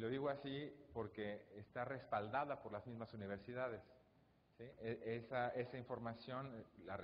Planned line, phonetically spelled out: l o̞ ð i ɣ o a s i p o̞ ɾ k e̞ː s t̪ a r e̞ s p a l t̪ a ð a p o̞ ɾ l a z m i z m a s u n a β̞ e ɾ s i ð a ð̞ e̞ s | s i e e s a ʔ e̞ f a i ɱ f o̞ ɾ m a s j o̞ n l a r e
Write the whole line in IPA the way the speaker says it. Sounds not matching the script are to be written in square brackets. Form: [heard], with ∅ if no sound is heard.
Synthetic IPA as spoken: l o̞ ð i ɣ o a s i p o̞ ɾ k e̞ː s t̪ a r e̞ s p a l [d̪] a ð a p o̞ ɾ l a z m i z m a s u n [i] β̞ e ɾ s i ð a ð̞ e̞ s | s i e e s a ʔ e̞ [s] a i ɱ f o̞ ɾ m a s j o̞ n l a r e